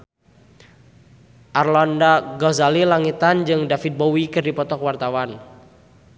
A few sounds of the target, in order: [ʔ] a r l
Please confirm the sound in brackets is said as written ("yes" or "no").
yes